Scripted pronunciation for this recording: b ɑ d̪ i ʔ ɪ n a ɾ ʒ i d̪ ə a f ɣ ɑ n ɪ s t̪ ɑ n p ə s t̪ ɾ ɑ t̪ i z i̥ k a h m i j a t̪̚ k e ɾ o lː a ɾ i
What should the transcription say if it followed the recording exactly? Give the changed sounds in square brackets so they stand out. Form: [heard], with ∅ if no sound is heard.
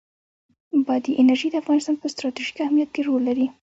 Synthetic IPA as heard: b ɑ d̪ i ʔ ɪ n a ɾ ʒ i d̪ ə a f ɣ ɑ n ɪ s t̪ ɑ n p ə s t̪ ɾ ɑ t̪ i [ʒ] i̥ k a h m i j a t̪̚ k e ɾ o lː a ɾ i